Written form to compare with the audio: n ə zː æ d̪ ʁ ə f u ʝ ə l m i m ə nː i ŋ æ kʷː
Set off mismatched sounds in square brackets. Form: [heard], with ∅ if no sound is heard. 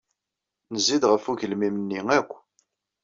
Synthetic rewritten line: n ə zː [i] d̪ ʁ ə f u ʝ ə l m i m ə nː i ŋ æ kʷː